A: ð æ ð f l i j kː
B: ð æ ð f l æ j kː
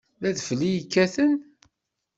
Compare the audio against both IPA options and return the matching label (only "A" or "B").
A